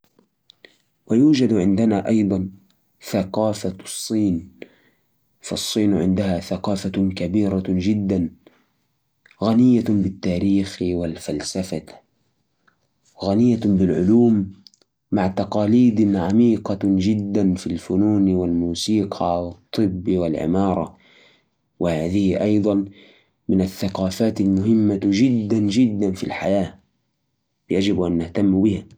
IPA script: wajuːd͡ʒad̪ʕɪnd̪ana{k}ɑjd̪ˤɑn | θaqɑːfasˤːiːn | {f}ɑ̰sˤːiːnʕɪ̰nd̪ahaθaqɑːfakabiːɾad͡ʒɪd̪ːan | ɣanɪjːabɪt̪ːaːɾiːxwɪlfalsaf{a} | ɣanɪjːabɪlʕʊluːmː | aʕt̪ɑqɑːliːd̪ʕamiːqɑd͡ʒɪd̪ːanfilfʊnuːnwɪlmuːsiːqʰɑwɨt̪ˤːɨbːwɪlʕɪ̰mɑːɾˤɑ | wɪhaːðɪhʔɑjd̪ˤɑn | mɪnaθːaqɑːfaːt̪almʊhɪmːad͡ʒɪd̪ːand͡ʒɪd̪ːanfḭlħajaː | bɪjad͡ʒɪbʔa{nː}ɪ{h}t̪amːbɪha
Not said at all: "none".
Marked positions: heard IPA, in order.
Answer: ʔ, f, a, nː, h

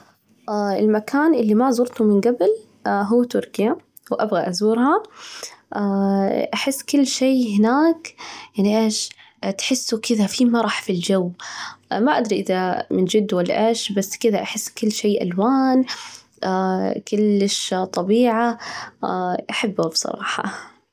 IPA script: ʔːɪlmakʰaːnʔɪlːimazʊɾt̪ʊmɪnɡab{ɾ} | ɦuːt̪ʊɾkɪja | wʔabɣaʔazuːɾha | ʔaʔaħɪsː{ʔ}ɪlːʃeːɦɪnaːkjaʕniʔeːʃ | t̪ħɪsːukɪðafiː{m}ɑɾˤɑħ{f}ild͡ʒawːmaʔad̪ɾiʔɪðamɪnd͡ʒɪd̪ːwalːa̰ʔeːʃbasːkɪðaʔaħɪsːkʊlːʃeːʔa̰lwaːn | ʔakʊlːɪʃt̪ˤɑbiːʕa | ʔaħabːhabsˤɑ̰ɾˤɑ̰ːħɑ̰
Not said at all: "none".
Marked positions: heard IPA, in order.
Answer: l, k, m, f

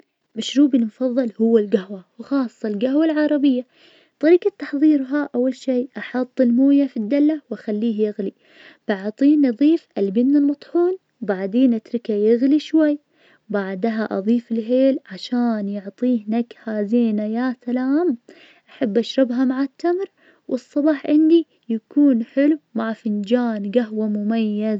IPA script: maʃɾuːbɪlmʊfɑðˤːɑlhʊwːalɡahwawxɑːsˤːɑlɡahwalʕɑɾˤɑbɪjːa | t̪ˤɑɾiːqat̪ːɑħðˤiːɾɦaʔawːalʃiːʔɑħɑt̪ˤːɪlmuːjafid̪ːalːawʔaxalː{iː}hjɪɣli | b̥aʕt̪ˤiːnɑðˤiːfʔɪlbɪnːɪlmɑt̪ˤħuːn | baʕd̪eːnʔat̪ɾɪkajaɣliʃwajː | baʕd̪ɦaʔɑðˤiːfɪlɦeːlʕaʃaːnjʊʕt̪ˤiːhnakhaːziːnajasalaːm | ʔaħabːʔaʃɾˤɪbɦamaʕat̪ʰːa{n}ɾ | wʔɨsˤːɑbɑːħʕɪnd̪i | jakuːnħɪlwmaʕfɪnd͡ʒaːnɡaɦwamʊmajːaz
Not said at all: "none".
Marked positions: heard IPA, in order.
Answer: iː, m

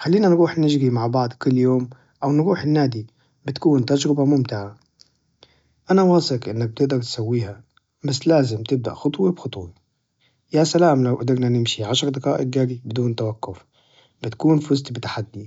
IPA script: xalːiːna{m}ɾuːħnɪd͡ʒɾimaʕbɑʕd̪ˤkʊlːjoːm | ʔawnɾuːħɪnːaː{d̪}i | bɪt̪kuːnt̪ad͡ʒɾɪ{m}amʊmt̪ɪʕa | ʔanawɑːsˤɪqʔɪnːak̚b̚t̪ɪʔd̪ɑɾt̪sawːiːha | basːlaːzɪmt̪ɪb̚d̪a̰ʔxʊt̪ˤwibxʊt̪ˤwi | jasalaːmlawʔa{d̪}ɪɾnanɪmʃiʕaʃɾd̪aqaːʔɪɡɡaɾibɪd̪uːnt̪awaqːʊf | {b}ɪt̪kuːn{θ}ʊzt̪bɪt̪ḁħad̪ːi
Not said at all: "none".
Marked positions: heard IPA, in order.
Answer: n, d̪, b, d̪, b, f

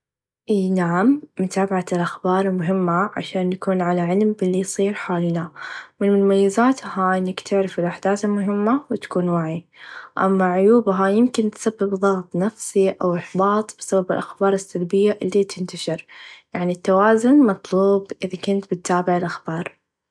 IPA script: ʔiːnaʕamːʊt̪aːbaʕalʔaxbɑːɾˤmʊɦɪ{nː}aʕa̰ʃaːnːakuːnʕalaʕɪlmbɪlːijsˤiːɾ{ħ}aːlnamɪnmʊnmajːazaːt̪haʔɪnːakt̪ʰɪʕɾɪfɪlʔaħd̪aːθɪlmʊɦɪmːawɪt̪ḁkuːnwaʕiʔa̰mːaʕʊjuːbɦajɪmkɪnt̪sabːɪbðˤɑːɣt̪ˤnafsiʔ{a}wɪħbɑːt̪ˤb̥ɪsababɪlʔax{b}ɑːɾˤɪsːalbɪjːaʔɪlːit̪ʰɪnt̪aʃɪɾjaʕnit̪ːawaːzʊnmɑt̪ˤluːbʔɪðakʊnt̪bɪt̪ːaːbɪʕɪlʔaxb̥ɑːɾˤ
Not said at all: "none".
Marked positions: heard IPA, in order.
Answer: mː, ħ, a, b

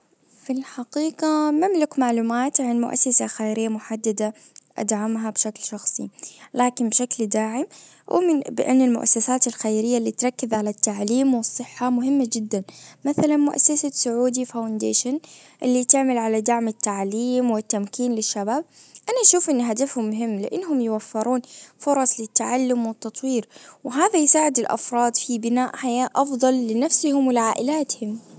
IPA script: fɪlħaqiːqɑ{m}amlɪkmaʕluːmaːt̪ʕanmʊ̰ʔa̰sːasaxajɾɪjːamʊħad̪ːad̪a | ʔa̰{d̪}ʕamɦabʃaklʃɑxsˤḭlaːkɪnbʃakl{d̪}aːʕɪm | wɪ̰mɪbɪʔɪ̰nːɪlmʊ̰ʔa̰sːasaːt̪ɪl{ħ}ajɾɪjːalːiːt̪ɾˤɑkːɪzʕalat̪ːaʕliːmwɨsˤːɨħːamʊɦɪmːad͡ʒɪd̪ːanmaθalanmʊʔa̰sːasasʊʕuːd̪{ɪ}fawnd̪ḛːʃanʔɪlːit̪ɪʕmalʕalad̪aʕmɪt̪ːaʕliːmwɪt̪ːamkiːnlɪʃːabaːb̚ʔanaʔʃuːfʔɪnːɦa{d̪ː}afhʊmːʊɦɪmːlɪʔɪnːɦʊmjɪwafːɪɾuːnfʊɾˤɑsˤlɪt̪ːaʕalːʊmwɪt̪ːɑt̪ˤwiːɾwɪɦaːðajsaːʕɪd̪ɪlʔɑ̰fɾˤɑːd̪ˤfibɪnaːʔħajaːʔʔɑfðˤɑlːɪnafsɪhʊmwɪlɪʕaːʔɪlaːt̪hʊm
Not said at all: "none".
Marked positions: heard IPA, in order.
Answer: m, d̪, d̪, x, i, d̪

